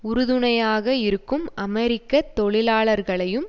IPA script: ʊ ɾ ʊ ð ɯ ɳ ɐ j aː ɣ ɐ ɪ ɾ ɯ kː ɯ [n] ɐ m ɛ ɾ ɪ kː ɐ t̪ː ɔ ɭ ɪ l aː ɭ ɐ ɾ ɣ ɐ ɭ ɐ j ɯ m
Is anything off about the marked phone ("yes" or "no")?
yes